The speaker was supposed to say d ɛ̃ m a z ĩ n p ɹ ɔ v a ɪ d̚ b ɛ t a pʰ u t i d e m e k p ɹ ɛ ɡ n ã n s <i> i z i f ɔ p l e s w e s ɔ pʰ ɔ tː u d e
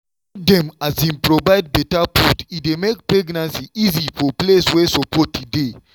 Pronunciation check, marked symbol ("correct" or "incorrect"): correct